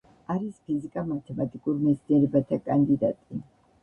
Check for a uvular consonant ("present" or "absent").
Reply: absent